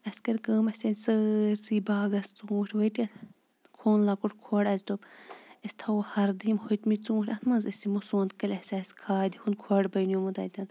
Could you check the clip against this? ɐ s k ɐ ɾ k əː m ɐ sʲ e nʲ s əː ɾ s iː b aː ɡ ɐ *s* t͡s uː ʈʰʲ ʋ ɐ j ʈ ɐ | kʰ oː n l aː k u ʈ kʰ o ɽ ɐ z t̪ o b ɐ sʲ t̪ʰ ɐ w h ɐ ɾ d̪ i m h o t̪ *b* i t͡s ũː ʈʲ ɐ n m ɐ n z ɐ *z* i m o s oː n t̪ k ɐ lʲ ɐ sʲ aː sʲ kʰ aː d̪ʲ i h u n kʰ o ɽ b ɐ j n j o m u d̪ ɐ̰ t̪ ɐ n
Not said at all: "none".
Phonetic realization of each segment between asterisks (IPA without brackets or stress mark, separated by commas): s, m, s